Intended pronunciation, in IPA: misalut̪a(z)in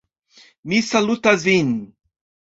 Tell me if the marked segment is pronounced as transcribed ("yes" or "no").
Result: yes